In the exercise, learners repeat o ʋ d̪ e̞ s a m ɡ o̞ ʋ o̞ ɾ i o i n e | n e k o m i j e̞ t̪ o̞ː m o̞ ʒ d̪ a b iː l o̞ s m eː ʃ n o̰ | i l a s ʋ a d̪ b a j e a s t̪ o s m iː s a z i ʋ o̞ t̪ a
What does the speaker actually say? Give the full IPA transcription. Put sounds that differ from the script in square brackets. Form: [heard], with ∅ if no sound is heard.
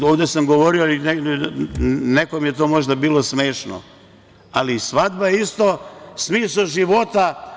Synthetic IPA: o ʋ d̪ e̞ s a m ɡ o̞ ʋ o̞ ɾ i o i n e | n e k o m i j e̞ t̪ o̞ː m o̞ ʒ d̪ a b iː l o̞ s m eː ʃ n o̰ | [a] l [i] s ʋ a d̪ b a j e [i] s t̪ o s m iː s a [ʒ] i ʋ o̞ t̪ a